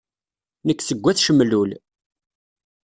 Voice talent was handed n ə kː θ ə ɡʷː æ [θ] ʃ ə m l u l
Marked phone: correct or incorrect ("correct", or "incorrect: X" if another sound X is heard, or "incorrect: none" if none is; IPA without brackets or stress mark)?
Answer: correct